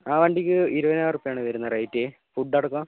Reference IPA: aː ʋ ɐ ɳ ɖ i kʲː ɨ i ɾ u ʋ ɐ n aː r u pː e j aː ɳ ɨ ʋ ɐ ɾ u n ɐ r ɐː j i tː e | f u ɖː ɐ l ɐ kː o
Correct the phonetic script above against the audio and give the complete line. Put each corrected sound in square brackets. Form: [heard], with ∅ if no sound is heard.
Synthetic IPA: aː ʋ ɐ ɳ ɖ i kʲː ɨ i ɾ u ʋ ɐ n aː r u pː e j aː ɳ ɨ ʋ ɐ ɾ u [nː] ɐ r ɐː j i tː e | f u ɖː ɐ [ɽ] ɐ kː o